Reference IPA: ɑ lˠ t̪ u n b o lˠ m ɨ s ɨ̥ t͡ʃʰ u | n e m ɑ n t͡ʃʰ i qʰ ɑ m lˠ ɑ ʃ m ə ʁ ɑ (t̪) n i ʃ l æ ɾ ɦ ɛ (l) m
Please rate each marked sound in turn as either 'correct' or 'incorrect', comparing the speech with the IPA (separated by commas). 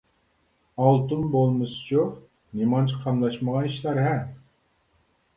incorrect, incorrect